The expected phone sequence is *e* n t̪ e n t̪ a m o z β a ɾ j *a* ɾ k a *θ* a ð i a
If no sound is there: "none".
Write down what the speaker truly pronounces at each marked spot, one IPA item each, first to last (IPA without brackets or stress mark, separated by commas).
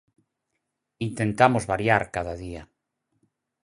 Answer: i, a, ð